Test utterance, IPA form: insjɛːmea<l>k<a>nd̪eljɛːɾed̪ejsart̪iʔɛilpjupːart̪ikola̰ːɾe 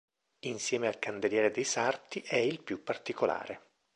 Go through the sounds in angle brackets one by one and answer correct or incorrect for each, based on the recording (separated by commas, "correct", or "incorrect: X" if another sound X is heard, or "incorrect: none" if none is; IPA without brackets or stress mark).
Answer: correct, correct